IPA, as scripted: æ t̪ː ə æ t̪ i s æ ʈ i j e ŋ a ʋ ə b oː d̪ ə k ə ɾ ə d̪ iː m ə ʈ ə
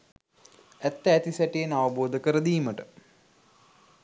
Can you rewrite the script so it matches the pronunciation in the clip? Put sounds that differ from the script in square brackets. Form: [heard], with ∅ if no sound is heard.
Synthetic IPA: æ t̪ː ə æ t̪ i s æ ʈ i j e [n] a ʋ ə b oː d̪ ə k ə ɾ ə d̪ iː m ə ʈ ə